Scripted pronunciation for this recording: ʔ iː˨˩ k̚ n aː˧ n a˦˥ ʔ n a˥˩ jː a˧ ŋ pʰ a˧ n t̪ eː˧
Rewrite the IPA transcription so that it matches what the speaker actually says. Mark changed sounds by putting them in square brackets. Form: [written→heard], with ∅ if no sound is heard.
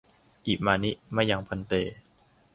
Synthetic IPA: ʔ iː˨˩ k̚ [n→m] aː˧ n [a˦˥→i˦˥] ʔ [n→m] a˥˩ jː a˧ ŋ pʰ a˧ n t̪ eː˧

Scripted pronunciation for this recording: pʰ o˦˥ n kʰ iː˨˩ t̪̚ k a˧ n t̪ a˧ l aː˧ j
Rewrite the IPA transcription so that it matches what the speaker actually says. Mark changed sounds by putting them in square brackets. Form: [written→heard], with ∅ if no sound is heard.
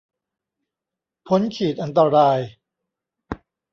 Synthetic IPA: pʰ o˦˥ n kʰ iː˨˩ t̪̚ [k→ʔ] a˧ n t̪ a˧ [l→ɾ] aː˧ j

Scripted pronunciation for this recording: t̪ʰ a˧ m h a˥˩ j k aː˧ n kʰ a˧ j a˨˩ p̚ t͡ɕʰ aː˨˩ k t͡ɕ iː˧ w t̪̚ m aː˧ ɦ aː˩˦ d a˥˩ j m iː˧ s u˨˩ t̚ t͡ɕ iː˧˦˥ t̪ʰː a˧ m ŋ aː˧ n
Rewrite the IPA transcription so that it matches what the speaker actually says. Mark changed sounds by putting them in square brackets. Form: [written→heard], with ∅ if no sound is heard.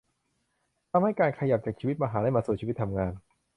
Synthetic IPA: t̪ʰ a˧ m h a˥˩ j k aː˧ n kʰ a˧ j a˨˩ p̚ [t͡ɕʰ→t͡ɕ] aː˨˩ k [t͡ɕ→t͡ɕʰ] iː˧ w t̪̚ m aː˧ ɦ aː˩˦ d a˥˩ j m [iː˧→aː˧] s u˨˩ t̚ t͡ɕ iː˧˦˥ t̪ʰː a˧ m ŋ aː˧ n

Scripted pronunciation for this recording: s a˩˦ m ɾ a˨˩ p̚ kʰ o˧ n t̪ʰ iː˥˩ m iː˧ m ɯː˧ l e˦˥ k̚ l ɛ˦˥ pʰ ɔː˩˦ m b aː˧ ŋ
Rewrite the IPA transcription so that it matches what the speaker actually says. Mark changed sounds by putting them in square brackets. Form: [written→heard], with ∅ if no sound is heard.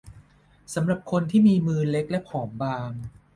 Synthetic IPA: s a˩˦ m ɾ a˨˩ p̚ kʰ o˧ n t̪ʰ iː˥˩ m iː˧ m ɯː˧ l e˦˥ k̚ l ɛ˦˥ pʰ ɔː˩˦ m b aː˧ ŋ

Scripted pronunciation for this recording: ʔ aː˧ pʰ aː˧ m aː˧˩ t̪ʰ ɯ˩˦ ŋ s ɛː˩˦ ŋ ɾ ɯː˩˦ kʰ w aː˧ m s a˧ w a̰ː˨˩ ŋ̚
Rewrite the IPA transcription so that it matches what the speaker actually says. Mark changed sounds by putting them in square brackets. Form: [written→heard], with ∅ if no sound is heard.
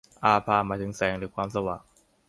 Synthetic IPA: ʔ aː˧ pʰ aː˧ m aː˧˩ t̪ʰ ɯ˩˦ ŋ s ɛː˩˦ ŋ ɾ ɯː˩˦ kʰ w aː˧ m s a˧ w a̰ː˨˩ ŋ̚

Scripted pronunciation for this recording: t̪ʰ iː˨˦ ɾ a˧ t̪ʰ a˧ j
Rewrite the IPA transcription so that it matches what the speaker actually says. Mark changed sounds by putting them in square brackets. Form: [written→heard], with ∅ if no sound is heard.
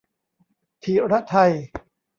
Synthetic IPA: t̪ʰ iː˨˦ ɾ [a˧→a˦˥] t̪ʰ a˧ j

